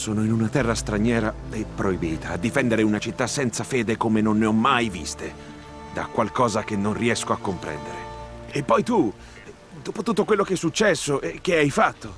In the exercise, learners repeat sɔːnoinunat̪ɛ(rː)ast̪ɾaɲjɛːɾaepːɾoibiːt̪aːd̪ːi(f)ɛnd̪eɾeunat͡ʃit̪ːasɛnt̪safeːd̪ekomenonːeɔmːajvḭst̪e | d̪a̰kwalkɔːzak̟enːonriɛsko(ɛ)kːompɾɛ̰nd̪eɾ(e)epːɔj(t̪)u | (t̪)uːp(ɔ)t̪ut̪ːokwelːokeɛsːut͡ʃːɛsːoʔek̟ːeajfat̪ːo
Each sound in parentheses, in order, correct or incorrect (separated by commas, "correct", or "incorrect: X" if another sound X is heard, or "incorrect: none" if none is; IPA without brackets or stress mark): correct, correct, incorrect: a, correct, correct, incorrect: d̪, incorrect: o